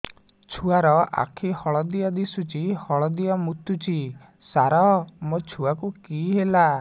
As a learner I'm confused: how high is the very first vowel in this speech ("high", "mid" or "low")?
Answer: high